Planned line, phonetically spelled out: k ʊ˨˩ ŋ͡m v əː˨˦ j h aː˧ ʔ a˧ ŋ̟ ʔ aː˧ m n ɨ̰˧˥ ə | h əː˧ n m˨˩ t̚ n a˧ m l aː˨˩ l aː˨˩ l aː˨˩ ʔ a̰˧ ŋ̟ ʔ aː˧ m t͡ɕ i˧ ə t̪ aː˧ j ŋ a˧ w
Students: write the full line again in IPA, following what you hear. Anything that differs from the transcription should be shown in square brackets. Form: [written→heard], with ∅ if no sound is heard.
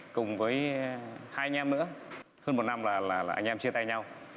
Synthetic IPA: k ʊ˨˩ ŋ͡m v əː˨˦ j h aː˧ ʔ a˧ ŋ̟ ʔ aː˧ m n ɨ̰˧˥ ə | h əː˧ n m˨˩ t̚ n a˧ m l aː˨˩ l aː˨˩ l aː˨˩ ʔ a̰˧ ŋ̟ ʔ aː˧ m t͡ɕ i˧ ə t̪ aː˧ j [ŋ→ɲ] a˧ w